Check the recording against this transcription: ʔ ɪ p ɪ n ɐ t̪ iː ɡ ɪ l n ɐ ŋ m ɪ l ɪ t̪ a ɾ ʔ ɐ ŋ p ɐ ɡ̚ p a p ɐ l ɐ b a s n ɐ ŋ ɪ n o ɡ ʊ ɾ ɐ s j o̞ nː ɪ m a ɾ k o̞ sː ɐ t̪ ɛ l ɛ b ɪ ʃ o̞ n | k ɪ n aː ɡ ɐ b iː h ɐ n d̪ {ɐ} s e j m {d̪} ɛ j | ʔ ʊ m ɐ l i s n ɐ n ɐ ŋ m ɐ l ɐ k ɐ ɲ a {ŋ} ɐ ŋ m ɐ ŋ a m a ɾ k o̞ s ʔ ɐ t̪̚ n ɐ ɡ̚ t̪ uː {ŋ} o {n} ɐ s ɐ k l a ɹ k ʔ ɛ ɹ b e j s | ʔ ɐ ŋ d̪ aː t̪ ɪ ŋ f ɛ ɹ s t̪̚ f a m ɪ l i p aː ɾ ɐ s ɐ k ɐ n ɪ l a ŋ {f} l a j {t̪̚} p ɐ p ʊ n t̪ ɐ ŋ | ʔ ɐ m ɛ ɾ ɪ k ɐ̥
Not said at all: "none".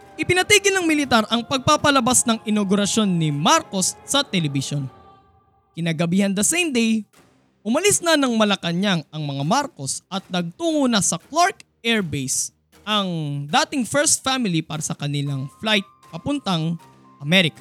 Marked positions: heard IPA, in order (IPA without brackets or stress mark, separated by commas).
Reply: ɐ, d̪, ŋ, ŋ, n, f, t̪̚